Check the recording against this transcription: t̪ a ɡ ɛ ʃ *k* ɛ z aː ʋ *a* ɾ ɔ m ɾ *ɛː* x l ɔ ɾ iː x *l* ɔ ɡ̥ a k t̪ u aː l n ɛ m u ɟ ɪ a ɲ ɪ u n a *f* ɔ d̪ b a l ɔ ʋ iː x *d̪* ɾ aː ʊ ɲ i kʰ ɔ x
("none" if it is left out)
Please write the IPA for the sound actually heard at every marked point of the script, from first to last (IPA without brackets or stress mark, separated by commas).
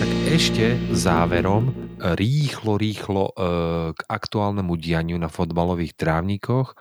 c, ɛ, iː, l, f, t̪